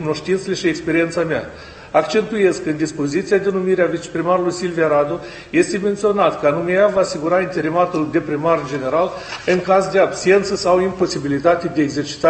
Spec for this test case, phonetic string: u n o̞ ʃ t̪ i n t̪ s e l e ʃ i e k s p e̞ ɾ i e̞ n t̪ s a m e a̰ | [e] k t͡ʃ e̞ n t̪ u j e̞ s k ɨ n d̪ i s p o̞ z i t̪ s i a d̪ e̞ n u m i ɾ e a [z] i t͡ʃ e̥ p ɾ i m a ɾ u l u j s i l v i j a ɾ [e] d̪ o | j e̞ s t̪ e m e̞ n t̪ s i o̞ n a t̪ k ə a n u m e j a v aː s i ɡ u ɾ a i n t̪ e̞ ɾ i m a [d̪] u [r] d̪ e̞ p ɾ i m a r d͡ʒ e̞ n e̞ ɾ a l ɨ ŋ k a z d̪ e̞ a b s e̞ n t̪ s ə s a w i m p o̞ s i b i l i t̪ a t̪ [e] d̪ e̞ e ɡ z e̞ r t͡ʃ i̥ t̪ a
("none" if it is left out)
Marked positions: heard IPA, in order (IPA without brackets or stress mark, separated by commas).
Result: a, v, a, t̪, l, e